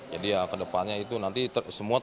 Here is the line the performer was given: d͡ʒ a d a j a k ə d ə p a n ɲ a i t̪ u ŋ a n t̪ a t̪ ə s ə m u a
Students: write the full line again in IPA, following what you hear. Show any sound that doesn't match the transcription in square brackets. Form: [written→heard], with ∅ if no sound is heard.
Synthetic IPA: d͡ʒ a d [a→i] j a k ə d ə p a n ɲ a i t̪ u [ŋ→n] a n t̪ [a→i] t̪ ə s ə m u a